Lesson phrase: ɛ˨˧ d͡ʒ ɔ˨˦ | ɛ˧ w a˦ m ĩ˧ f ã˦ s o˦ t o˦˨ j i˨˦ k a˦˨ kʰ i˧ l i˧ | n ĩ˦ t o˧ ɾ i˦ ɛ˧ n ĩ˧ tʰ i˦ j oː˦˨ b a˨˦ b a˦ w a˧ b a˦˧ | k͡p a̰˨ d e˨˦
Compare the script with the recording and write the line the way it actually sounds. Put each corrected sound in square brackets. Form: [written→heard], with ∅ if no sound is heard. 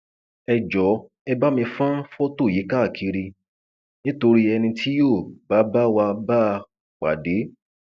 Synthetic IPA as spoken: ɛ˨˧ d͡ʒ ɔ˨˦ | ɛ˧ [w→b] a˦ m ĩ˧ f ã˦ [s→f] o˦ t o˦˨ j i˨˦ k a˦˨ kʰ i˧ [l→ɾ] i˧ | n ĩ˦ t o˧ ɾ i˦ ɛ˧ n ĩ˧ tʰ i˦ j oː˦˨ b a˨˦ b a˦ w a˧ b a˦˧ | k͡p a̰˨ d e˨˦

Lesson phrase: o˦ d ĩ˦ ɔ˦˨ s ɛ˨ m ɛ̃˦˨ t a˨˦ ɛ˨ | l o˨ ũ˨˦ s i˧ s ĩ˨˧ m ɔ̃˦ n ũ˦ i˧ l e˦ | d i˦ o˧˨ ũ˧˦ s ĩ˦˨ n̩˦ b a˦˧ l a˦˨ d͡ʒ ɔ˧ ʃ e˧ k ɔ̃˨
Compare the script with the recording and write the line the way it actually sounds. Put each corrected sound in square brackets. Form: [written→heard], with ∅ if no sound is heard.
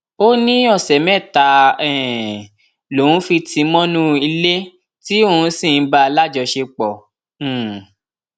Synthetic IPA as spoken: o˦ [d→n] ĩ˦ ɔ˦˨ s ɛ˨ m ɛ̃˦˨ t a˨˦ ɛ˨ | l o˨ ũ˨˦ [s→f] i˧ [s→t] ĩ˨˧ m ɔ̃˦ n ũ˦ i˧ l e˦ | [d→t] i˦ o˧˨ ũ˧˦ s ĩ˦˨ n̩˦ b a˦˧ l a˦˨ d͡ʒ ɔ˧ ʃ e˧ [k→k͡p] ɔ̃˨

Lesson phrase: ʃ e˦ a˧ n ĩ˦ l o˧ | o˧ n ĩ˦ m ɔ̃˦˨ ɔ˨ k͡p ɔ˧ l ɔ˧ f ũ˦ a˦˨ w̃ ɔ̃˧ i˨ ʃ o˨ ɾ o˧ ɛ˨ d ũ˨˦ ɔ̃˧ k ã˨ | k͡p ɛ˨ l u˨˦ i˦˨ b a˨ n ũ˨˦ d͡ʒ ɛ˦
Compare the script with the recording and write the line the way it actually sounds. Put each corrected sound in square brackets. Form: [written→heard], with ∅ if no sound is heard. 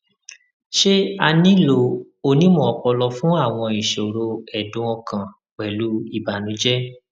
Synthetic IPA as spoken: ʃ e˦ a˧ n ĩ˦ l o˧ | o˧ n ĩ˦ m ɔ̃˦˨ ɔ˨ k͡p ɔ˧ l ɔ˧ f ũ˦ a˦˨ w̃ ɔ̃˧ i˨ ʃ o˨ ɾ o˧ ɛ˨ d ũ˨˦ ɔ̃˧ k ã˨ | k͡p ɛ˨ l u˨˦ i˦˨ b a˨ n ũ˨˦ d͡ʒ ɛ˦

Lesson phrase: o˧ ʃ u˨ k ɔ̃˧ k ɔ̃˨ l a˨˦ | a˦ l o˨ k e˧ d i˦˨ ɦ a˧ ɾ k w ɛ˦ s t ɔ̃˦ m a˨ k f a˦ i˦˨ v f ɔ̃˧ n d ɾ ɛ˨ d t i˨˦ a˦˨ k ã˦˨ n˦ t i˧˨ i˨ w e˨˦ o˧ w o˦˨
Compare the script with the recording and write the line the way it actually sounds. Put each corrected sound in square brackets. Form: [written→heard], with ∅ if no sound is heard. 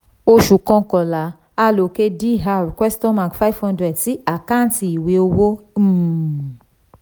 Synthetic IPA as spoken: o˧ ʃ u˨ k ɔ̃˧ k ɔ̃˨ l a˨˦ | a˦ l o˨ k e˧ d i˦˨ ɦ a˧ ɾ k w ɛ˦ s t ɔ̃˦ m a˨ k f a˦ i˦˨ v [f→h] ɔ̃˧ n d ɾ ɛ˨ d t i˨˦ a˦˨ k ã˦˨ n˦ t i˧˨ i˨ w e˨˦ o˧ w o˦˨

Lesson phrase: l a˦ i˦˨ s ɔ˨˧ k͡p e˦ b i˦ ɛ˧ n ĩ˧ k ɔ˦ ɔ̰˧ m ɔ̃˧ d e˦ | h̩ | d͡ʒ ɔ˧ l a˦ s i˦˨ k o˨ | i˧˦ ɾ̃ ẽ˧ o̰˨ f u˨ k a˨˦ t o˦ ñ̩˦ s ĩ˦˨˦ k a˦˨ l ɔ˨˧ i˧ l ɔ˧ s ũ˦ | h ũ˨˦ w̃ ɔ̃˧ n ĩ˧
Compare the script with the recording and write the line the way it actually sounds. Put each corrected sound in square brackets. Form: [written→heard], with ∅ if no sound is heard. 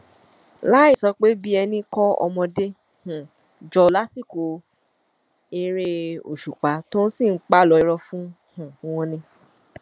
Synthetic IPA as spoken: l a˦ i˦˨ s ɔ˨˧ k͡p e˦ b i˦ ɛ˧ n ĩ˧ k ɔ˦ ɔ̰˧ m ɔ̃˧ d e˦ | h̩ | d͡ʒ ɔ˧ l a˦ s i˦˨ k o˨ | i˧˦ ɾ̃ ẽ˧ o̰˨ [f→ʃ] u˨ [k→k͡p] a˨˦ t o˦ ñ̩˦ s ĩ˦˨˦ [k→k͡p] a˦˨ l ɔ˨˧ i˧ [l→ɾ] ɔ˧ [s→f] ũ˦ | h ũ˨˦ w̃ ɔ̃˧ n ĩ˧

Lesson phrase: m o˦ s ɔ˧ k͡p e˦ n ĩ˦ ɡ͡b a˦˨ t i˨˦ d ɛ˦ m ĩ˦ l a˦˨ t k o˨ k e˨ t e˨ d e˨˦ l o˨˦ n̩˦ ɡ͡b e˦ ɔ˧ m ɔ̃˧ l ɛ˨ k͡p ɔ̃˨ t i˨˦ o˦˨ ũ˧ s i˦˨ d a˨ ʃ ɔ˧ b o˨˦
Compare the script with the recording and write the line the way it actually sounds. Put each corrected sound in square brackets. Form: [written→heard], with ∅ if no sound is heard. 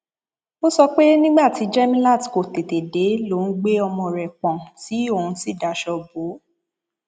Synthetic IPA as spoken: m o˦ s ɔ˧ k͡p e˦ n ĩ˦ ɡ͡b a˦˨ t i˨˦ [d→d͡ʒ] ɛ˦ m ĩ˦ l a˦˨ t k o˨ [k→t] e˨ t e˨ d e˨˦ l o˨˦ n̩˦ ɡ͡b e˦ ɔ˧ m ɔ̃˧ [l→ɾ] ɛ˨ k͡p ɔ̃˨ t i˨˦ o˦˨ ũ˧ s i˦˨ d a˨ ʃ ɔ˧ b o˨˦

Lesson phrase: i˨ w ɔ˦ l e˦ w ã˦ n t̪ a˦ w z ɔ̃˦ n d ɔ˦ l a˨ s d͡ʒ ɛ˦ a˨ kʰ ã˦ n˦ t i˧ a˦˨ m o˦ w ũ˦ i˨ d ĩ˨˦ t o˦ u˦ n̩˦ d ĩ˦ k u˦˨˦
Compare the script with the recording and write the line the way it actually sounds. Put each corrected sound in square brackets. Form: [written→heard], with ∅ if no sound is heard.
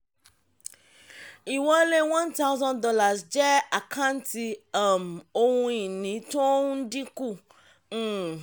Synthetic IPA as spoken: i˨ w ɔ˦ l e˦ w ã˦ n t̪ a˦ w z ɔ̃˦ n d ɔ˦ l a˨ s d͡ʒ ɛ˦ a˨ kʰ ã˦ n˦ t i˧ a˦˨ m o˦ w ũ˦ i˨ [d→n] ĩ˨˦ t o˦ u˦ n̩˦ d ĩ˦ k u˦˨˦

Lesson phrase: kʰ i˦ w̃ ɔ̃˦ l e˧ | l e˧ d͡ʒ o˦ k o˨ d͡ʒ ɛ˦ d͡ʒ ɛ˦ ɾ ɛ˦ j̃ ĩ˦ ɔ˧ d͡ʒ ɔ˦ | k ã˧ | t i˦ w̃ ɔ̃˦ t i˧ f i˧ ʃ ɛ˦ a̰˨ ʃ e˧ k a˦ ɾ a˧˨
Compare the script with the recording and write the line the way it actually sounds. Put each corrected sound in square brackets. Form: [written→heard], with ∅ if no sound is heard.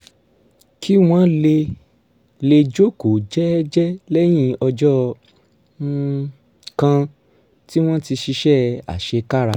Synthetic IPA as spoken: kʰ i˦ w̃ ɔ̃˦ l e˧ | l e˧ d͡ʒ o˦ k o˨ d͡ʒ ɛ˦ d͡ʒ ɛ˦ [ɾ→l] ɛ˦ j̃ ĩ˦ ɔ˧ d͡ʒ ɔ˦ | k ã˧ | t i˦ w̃ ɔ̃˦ t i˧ [f→ʃ] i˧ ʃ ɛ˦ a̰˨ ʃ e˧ k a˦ ɾ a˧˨

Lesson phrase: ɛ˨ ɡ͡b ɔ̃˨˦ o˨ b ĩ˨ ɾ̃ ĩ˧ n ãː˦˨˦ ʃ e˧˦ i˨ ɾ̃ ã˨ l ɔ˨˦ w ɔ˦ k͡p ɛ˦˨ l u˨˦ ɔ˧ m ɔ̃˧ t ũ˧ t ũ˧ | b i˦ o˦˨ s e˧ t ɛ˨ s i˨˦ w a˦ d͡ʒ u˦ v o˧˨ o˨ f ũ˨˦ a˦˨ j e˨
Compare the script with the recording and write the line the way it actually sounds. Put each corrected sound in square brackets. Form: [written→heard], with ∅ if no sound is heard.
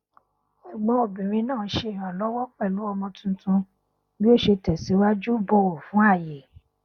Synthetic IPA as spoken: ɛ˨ ɡ͡b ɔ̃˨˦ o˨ b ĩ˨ ɾ̃ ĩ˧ n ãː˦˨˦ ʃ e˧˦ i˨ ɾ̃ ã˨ l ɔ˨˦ w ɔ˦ k͡p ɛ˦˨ l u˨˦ ɔ˧ m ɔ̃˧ t ũ˧ t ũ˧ | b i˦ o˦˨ [s→ʃ] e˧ t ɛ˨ s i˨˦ w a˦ d͡ʒ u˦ [v→b] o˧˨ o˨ f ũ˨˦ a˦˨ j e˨

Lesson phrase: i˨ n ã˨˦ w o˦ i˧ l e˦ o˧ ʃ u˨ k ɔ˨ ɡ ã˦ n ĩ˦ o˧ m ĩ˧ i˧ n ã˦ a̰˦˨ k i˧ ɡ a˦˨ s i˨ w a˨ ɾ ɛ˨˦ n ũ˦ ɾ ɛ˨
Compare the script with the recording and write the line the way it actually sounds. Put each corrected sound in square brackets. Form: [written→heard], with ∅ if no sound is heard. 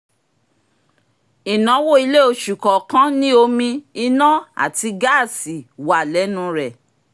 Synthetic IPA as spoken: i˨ n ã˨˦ w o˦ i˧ l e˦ o˧ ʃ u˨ k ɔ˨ [ɡ→k] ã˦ n ĩ˦ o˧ m ĩ˧ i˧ n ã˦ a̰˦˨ [k→t] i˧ ɡ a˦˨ s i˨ w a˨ [ɾ→l] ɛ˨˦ n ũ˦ ɾ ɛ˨

